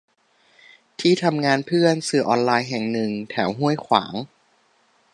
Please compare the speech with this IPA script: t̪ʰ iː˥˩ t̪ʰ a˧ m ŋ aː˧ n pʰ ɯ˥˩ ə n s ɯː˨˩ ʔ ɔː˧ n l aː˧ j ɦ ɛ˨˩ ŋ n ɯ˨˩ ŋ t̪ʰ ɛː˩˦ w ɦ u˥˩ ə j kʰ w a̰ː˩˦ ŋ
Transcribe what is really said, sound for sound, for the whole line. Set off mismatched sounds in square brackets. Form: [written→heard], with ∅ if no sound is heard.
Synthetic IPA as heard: t̪ʰ iː˥˩ t̪ʰ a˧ m ŋ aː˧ n pʰ ɯ˥˩ ə n s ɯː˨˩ ʔ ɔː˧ n l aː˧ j ɦ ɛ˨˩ ŋ n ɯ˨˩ ŋ t̪ʰ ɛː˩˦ w ɦ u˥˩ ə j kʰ w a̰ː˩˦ ŋ